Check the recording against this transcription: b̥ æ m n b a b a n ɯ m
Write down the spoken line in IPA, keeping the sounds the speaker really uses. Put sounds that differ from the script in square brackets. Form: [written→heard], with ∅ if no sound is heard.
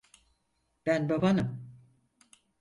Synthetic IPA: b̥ æ [m→∅] n b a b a n ɯ m